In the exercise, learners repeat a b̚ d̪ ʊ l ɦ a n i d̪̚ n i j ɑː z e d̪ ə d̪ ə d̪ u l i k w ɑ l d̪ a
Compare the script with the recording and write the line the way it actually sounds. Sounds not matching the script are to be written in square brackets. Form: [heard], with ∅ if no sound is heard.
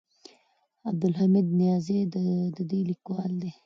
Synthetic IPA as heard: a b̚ d̪ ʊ l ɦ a [m] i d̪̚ n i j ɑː z e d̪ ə d̪ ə d̪ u l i k w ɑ l d̪ [e]